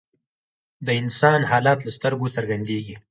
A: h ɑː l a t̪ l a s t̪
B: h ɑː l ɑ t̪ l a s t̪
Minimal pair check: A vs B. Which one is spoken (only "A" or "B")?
B